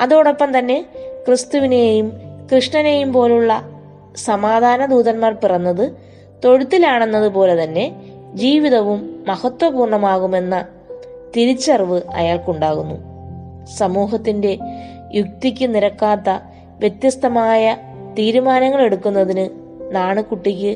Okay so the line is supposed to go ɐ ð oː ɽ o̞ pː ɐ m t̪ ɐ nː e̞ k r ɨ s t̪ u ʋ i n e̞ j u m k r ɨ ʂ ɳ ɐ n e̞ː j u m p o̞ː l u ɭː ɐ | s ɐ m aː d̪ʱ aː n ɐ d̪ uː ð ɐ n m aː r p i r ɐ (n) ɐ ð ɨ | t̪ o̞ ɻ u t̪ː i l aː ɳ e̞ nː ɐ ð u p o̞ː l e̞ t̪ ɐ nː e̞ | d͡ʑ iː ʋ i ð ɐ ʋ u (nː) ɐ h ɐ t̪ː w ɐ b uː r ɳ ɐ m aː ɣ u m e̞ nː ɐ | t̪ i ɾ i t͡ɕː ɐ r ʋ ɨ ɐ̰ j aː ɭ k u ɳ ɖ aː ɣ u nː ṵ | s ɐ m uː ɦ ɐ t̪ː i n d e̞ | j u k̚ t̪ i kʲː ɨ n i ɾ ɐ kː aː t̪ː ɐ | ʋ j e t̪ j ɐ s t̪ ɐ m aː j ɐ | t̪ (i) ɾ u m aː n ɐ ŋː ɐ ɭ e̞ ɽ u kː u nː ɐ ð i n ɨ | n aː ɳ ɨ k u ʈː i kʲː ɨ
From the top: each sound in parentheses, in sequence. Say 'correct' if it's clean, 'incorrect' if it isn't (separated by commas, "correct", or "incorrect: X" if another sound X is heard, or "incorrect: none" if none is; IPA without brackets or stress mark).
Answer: incorrect: nː, incorrect: mː, incorrect: iː